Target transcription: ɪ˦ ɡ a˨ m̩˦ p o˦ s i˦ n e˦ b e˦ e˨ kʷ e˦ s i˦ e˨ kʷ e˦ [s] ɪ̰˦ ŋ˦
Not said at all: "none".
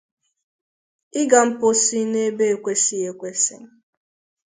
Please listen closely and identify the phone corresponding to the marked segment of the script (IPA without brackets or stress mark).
s